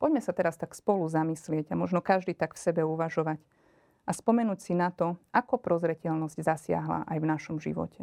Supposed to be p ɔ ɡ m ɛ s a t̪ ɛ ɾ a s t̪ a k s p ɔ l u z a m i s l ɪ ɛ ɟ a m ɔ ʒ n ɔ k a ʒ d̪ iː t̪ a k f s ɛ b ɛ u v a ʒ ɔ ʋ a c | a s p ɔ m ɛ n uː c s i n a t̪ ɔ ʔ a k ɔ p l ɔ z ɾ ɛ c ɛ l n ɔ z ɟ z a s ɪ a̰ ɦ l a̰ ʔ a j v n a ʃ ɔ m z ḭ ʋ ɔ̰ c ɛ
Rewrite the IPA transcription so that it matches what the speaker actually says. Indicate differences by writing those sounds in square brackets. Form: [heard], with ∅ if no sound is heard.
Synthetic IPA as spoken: p ɔ [ɟ] m ɛ s a t̪ ɛ ɾ a s t̪ a k s p ɔ l u z a m i s l ɪ ɛ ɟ a m ɔ ʒ n ɔ k a ʒ d̪ iː t̪ a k f s ɛ b ɛ u [ʋ] a ʒ ɔ ʋ a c | a s p ɔ m ɛ n uː c s i n a t̪ ɔ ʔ a k ɔ p [ɾ] ɔ z ɾ ɛ c ɛ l n ɔ z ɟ z a s ɪ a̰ ɦ l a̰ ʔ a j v n a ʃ ɔ m [ʒ] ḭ ʋ ɔ̰ c ɛ